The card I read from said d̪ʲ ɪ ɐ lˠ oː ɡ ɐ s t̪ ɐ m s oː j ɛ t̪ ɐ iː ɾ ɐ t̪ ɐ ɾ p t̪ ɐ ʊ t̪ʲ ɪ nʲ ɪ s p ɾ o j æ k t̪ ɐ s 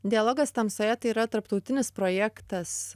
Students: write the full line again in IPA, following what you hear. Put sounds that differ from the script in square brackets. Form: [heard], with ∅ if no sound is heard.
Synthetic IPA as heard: d̪ʲ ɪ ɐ lˠ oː ɡ ɐ s t̪ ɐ m s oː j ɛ t̪ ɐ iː ɾ ɐ t̪ ɐ ɾ p t̪ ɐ ʊ t̪ʲ ɪ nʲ ɪ s p ɾ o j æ k t̪ ɐ s